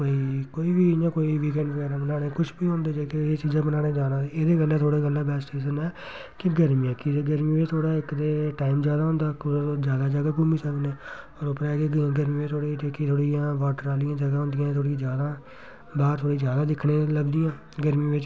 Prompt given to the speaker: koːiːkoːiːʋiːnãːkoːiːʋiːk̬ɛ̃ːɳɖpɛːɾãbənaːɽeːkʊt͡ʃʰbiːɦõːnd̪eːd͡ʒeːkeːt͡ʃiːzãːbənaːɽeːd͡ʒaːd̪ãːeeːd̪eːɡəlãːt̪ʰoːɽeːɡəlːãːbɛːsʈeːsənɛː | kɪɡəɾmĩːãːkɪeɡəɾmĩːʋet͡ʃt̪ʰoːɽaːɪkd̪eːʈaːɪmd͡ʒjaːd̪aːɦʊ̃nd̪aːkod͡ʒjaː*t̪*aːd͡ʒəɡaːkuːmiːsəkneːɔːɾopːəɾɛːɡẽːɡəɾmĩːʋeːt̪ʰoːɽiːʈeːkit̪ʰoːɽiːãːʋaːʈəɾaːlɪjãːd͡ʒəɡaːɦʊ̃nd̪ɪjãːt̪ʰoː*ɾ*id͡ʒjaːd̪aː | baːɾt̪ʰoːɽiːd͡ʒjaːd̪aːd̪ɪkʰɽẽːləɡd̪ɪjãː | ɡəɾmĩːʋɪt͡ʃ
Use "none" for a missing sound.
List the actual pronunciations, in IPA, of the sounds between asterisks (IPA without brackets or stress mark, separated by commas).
d̪, ɽ